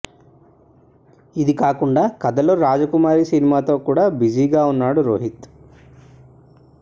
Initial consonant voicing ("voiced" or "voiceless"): voiced